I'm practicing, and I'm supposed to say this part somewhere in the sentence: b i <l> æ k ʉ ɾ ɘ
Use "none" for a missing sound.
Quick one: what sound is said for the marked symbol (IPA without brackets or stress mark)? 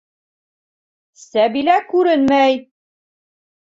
l